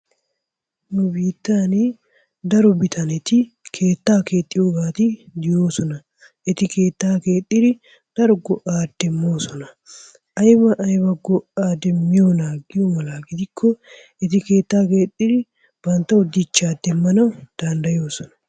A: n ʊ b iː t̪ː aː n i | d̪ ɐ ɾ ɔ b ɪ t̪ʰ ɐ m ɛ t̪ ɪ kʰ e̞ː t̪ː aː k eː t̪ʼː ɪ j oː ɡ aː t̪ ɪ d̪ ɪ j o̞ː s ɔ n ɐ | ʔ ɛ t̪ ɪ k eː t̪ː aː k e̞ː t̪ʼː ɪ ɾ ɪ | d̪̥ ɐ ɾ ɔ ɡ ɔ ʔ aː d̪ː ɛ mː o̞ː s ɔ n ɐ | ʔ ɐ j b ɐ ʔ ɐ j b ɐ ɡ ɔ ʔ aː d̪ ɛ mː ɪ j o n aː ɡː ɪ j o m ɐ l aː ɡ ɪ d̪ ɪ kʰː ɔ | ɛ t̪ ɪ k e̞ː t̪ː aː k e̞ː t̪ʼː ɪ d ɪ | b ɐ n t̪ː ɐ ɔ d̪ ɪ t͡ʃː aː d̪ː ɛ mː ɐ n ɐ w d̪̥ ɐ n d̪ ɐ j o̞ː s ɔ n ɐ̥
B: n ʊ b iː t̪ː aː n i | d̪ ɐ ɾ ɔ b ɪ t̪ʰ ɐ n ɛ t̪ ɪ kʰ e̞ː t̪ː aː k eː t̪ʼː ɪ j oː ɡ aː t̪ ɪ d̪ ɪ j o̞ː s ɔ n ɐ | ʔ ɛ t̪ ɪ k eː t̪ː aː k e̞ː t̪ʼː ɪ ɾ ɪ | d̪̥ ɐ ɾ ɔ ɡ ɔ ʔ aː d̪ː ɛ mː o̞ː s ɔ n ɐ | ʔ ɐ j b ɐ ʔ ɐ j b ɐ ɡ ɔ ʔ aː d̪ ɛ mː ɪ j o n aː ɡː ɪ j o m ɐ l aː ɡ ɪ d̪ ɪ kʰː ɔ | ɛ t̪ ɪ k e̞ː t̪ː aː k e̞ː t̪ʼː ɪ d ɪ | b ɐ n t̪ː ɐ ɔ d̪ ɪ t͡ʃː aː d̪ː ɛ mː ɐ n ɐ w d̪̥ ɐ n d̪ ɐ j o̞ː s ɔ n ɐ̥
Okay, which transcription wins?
B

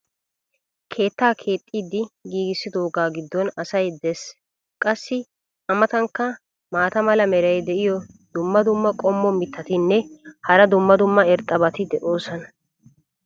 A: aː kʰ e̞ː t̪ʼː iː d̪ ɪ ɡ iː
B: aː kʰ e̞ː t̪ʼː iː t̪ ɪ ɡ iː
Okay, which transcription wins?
A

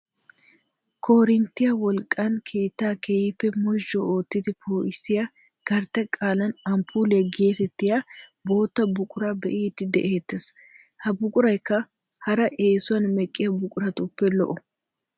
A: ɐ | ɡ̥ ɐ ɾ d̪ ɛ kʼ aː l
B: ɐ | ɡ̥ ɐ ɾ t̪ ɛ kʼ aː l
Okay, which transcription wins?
B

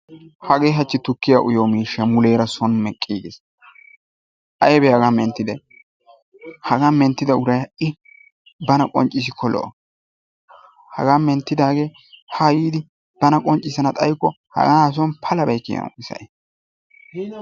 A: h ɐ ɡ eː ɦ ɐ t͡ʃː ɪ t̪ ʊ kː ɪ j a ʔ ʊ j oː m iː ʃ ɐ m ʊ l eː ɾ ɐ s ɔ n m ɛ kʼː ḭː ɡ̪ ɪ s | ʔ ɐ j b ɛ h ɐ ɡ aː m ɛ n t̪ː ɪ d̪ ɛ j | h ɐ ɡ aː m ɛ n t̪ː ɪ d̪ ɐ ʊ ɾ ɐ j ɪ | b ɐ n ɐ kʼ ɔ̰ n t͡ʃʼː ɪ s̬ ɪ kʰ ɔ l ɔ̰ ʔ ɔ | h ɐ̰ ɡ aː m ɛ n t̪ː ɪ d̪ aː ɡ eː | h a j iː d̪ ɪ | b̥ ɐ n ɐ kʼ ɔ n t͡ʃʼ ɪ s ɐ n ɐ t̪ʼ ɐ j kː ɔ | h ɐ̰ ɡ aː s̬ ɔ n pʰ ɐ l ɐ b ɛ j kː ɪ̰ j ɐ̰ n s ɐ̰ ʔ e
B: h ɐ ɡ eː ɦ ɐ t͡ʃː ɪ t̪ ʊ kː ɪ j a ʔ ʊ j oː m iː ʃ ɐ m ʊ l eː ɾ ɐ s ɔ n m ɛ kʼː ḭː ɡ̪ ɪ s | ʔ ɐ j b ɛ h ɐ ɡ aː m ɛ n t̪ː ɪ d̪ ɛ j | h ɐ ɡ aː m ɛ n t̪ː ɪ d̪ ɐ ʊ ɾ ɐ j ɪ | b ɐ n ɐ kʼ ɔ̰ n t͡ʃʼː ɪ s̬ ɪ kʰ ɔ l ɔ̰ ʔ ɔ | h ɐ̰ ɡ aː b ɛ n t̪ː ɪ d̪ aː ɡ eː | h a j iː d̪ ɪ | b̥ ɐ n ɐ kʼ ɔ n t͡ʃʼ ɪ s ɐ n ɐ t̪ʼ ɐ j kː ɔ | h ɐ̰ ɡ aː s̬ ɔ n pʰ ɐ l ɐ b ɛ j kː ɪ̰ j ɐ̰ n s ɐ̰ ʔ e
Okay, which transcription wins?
A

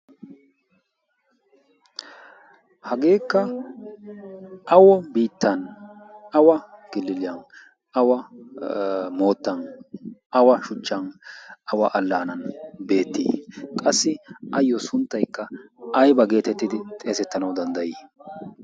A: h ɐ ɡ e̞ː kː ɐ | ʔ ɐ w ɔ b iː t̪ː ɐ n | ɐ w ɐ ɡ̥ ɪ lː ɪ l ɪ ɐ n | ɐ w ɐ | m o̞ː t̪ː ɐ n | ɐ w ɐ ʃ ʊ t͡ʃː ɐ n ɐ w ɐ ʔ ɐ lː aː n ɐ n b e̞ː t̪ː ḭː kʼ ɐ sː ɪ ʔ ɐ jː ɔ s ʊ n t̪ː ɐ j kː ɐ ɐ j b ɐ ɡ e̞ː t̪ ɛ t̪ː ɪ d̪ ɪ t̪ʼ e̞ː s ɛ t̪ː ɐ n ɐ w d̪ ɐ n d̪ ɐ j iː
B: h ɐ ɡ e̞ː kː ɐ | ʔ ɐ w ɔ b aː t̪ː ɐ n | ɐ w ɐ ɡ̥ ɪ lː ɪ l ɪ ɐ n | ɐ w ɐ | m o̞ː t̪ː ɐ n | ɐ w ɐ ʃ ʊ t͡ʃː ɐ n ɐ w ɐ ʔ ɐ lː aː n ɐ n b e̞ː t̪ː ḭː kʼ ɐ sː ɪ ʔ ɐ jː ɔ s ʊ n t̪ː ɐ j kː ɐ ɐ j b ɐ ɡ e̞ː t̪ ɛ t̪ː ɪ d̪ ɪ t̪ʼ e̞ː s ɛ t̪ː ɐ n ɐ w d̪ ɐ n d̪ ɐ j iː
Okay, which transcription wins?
A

